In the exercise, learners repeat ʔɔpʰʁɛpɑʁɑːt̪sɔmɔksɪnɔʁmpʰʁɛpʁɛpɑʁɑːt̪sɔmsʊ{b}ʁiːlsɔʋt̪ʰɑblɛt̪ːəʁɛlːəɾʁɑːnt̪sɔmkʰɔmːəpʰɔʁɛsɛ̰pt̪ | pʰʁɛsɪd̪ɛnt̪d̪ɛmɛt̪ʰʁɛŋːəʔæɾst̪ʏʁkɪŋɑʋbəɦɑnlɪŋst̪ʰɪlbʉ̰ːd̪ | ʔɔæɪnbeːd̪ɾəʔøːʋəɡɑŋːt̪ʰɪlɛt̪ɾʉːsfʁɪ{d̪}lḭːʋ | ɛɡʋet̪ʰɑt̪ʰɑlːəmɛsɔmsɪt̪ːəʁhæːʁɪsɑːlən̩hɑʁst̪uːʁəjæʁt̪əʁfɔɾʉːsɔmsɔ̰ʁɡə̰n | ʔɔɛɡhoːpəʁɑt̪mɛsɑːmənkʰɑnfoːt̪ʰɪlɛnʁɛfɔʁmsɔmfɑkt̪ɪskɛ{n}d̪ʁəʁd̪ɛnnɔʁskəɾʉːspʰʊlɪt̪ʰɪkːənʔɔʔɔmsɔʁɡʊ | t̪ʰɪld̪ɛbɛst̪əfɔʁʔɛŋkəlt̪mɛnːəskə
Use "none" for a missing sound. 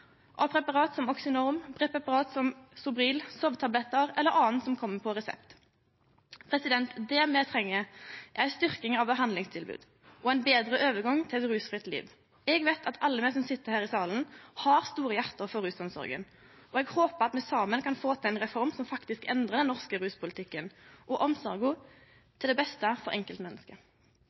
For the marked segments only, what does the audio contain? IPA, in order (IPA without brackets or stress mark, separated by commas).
b, t̪, n